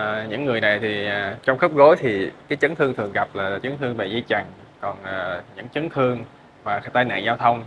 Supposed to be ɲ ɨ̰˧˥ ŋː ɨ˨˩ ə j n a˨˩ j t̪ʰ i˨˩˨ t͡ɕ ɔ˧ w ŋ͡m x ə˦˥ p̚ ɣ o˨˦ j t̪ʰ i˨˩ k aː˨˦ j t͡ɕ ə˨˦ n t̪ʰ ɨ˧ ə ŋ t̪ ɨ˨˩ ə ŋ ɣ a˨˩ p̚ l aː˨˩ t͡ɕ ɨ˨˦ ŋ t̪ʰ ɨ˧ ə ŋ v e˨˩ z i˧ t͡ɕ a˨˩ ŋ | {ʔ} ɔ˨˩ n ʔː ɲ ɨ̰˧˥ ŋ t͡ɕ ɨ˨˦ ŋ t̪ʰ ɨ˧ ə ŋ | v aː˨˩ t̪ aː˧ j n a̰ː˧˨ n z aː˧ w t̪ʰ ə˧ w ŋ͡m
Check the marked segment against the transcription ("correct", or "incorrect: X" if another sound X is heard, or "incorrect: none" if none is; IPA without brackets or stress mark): incorrect: k